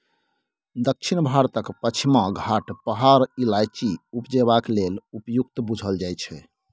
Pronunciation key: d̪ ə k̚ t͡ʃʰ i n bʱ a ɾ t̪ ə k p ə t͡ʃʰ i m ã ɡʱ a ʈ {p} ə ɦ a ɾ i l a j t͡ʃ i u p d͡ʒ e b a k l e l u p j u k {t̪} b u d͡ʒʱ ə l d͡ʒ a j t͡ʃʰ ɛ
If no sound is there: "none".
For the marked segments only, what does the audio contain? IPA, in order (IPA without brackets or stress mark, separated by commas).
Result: p, t̪